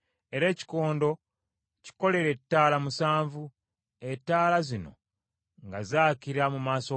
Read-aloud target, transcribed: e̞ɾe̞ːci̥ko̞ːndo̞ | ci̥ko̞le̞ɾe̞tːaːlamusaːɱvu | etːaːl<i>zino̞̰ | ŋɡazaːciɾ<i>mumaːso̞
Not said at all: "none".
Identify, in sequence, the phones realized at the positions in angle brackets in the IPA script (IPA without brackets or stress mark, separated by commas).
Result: a, a